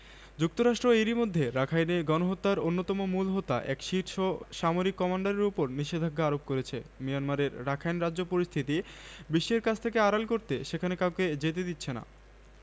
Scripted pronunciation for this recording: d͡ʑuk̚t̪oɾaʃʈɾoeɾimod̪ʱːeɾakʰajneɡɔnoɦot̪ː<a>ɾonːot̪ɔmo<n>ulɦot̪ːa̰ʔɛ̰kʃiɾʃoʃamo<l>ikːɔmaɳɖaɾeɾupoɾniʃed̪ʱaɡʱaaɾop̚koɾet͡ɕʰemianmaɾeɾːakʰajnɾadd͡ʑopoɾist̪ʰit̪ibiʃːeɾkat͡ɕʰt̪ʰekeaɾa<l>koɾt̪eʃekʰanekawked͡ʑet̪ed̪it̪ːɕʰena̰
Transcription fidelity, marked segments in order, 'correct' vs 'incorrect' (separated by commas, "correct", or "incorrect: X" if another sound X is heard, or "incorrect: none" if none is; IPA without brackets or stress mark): correct, incorrect: m, incorrect: ɾ, correct